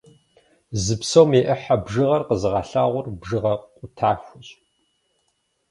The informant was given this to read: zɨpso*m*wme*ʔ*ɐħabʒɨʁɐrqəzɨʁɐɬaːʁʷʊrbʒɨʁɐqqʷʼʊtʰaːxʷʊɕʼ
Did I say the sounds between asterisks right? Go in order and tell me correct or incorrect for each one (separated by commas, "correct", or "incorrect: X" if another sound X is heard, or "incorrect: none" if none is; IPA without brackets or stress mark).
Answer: incorrect: none, correct